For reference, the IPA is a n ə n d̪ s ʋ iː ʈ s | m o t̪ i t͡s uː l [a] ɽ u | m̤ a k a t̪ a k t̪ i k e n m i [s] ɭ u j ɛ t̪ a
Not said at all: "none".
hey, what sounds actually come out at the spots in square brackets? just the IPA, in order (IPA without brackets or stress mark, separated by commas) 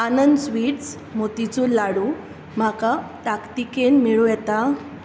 a, none